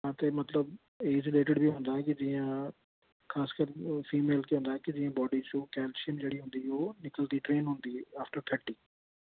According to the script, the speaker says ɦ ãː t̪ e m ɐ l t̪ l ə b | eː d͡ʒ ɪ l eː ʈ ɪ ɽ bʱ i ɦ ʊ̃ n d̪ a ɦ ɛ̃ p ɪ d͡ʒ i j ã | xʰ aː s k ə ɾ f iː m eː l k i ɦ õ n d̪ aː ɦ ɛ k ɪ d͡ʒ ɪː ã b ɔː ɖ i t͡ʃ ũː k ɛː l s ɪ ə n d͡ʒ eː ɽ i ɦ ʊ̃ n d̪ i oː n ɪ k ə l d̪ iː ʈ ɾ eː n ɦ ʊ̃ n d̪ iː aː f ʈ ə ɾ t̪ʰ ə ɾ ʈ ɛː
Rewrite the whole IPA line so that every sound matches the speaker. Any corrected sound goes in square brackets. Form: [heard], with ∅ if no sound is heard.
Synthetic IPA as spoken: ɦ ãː t̪ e m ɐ [∅] t̪ l ə b | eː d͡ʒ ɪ l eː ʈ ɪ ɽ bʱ i ɦ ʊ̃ n d̪ a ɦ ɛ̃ [k] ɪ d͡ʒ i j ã | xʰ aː s k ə ɾ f iː m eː l k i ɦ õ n d̪ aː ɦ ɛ k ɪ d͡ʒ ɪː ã b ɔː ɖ i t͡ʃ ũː k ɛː l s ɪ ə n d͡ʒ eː ɽ i ɦ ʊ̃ n d̪ i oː n ɪ k ə l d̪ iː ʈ ɾ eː n ɦ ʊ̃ n d̪ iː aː f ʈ ə ɾ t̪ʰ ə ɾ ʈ [iː]